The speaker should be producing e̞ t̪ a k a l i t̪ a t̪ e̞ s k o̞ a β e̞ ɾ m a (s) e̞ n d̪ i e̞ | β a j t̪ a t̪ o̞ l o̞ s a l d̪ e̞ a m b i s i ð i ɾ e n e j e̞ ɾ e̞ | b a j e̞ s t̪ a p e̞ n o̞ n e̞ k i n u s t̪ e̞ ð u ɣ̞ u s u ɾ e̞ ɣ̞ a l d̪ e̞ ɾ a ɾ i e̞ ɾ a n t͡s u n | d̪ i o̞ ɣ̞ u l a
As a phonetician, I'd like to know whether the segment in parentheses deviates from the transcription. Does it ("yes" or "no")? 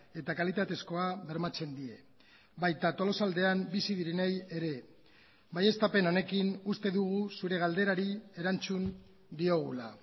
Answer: yes